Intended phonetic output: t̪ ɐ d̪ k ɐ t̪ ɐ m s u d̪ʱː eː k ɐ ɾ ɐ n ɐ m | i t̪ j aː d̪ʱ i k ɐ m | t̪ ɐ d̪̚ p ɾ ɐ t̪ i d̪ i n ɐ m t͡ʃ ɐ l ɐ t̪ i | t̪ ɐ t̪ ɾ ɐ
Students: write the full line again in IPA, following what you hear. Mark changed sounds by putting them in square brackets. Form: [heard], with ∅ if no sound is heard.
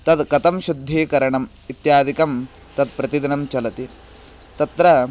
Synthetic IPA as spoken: t̪ ɐ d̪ k ɐ t̪ ɐ m [ʃ] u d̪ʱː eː k ɐ ɾ ɐ [ɳ] ɐ m | i t̪ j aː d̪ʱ i k ɐ m | t̪ ɐ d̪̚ p ɾ ɐ t̪ i d̪ i n ɐ m t͡ʃ ɐ l ɐ t̪ i | t̪ ɐ t̪ ɾ ɐ